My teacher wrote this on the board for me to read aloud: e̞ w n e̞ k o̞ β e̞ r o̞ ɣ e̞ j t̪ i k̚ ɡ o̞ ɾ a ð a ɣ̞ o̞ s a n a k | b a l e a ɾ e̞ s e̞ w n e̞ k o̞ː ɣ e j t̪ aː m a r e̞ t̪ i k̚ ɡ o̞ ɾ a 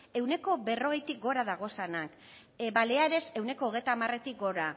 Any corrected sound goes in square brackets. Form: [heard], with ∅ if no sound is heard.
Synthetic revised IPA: e̞ w n e̞ k o̞ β e̞ r o̞ ɣ e̞ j t̪ i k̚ ɡ o̞ ɾ a ð a ɣ̞ o̞ s a n a k | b a l e a ɾ e̞ s e̞ w n e̞ k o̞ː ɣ e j t̪ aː m a r e̞ t̪ i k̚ ɡ o̞ ɾ a